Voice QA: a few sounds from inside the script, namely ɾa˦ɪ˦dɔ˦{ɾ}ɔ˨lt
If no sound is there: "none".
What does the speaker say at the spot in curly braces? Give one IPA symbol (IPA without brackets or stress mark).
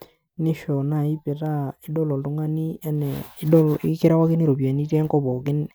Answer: l